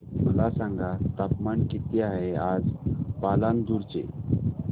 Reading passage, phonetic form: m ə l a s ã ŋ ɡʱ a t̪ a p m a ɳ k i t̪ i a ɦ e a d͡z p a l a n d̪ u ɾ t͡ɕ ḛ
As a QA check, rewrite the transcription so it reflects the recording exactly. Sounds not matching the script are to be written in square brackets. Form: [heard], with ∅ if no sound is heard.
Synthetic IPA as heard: m ə l a s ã ŋ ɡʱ a t̪ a p m a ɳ k i t̪ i a ɦ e a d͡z p a l a n d̪ u ɾ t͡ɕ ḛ